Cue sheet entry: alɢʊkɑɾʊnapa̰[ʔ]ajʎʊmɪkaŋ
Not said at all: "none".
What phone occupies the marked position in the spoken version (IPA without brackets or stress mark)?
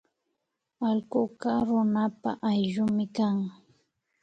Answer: ʔ